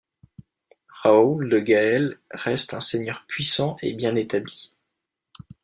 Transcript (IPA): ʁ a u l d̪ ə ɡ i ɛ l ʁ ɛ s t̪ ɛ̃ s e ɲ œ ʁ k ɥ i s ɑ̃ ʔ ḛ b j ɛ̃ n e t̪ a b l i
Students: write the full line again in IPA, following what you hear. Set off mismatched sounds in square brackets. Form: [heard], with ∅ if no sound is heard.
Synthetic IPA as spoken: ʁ a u l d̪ ə ɡ [a] ɛ l ʁ ɛ s t̪ ɛ̃ s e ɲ œ ʁ [p] ɥ i s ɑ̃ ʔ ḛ b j ɛ̃ n e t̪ a b l i